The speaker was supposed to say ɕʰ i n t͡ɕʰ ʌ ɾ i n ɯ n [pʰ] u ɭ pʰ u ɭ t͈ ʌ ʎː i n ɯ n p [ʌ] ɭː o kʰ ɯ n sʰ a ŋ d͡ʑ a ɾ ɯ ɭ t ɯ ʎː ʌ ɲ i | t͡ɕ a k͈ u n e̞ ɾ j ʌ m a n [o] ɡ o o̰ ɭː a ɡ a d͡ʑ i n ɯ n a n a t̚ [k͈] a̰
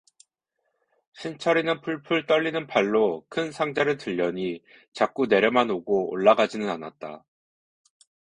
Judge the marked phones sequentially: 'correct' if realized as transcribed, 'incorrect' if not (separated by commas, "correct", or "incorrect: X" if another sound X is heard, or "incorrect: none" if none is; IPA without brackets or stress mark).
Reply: correct, incorrect: a, correct, incorrect: t͈